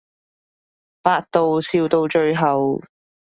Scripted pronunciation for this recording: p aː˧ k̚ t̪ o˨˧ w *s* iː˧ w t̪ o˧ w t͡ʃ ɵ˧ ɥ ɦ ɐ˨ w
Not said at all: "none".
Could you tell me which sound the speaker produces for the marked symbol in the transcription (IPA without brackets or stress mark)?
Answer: s